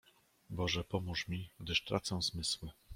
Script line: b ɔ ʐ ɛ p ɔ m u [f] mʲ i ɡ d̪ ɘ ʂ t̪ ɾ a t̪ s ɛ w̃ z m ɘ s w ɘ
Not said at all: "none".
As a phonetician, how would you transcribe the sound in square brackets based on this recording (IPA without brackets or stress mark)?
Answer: ʂ